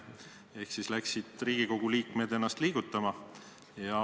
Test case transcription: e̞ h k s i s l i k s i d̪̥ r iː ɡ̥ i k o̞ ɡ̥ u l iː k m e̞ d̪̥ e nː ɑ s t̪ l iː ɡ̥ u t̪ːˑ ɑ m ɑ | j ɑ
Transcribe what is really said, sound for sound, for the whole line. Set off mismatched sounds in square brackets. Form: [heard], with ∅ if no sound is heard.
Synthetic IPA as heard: e̞ h k s i s l [æ] k s i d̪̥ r iː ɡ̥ i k o̞ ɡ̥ u l iː k m e̞ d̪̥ e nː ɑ s t̪ l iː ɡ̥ u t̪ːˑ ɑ m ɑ | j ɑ